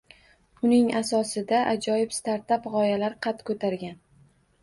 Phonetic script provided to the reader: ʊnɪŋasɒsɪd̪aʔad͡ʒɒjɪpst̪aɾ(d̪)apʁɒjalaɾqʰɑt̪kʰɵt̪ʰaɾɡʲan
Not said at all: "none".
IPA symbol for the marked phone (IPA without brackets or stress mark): t̪